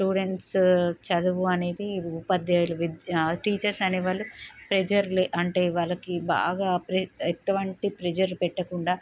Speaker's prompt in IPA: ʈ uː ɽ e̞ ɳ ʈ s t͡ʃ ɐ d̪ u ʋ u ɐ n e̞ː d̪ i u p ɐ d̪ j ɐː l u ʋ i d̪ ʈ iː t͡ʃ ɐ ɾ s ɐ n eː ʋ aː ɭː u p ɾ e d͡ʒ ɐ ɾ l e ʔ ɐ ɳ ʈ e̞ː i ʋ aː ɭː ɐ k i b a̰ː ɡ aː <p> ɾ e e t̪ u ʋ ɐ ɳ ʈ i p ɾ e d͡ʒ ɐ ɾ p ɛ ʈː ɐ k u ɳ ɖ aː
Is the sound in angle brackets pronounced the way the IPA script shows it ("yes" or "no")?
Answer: yes